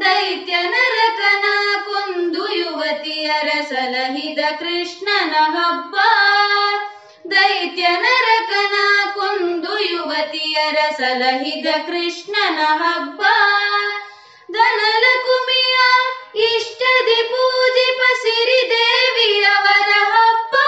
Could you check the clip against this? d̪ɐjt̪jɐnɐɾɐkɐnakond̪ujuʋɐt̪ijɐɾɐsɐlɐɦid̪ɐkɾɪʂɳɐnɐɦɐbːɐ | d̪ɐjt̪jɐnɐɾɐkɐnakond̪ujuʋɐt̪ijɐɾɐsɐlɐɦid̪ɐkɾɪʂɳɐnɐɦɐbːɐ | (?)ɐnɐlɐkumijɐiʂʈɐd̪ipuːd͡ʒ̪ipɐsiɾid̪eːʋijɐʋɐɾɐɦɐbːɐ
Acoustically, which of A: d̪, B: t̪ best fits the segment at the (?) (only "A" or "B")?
A